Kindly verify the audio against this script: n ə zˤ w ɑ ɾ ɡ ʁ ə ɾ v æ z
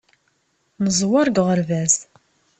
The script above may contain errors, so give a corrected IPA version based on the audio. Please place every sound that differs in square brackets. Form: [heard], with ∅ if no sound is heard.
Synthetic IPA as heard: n ə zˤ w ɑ ɾ ɡ ʁ ə ɾ v æ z